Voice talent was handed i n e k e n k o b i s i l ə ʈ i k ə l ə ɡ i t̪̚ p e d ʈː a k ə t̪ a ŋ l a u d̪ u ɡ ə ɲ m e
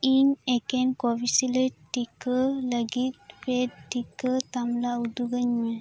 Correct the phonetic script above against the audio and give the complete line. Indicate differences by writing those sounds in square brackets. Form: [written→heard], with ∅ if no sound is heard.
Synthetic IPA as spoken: i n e k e n k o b i s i l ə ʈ i k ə l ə ɡ i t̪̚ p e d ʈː [a→i] k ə t̪ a [ŋ→m] l a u d̪ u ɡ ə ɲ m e